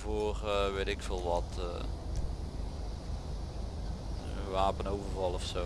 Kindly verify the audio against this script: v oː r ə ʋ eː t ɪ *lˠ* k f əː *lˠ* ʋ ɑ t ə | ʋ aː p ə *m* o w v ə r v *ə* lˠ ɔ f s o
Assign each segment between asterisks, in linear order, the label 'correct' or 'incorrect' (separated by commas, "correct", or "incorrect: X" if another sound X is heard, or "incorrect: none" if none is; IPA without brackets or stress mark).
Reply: incorrect: none, correct, incorrect: n, incorrect: ɑ